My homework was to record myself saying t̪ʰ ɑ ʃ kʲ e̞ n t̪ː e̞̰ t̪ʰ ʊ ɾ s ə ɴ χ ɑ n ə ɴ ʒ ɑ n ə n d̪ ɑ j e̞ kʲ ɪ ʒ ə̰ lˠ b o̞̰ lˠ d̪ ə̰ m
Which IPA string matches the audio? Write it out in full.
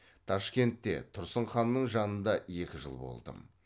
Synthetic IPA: t̪ʰ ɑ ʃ kʲ e̞ n t̪ː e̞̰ t̪ʰ ʊ ɾ s ə ɴ χ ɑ nː ə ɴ ʒ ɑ n ə n d̪ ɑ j e̞ kʲ ɪ ʒ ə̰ lˠ b o̞̰ lˠ d̪ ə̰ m